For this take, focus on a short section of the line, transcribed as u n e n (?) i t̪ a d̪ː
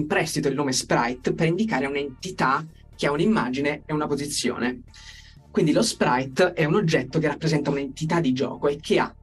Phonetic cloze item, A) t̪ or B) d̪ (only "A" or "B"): A